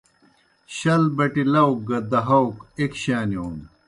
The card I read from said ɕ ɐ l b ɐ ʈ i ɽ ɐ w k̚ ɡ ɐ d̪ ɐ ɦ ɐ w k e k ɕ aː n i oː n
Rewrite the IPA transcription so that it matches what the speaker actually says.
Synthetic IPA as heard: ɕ ɐ l b ɐ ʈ i l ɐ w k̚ ɡ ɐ d̪ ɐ ɦ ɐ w k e k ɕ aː n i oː n